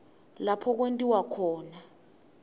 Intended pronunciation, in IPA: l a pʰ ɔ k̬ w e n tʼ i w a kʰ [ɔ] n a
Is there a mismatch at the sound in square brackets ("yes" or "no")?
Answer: yes